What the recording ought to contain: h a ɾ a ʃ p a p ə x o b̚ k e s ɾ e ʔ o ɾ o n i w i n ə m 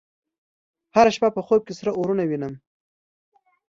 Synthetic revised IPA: h a ɾ a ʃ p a p ə x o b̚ k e s ɾ a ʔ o ɾ u n a w i n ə m